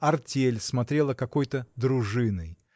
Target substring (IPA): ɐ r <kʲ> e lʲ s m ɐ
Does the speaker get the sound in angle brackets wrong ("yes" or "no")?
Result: yes